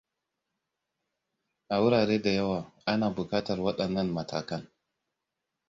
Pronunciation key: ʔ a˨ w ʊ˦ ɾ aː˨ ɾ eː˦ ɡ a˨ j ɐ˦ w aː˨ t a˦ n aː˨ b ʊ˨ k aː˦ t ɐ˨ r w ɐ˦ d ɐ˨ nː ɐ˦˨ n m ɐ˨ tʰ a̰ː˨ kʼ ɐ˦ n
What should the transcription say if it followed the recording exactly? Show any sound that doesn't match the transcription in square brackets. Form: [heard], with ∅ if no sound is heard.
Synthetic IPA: ʔ a˨ w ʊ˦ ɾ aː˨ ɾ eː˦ [d] a˨ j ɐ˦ w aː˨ [ʔ] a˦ n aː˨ b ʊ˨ k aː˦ t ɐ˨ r w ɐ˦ [ɗ] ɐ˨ nː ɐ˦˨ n m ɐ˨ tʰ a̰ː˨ [k] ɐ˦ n